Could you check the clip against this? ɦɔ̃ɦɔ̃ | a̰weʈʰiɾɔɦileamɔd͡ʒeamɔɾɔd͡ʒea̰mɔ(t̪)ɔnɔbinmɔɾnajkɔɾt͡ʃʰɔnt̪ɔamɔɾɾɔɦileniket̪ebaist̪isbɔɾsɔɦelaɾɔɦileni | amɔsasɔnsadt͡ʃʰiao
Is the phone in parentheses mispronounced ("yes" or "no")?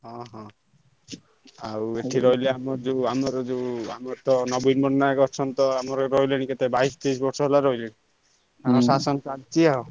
no